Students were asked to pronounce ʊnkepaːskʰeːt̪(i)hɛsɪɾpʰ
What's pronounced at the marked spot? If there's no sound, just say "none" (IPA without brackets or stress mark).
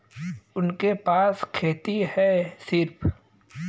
i